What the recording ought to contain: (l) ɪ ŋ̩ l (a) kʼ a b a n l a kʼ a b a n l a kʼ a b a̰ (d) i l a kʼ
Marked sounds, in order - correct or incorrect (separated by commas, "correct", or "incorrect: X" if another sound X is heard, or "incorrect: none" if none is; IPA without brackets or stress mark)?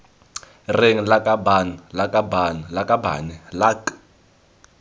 incorrect: r, correct, incorrect: n